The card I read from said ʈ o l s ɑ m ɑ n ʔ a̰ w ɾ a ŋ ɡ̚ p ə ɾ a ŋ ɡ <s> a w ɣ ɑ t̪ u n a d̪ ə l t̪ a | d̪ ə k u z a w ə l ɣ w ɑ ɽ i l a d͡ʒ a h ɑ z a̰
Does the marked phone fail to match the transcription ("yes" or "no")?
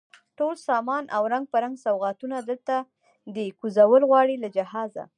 no